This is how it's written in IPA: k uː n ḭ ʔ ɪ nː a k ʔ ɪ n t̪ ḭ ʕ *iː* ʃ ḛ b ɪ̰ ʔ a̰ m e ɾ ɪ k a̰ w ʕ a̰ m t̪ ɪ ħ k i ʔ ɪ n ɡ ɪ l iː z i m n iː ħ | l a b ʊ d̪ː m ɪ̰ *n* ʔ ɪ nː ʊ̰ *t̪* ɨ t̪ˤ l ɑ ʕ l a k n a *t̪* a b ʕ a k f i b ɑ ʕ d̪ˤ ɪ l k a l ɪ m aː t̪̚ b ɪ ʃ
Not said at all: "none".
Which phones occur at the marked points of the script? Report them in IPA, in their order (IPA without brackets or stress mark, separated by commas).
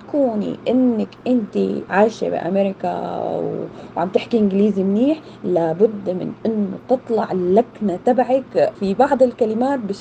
aː, n, t̪, t̪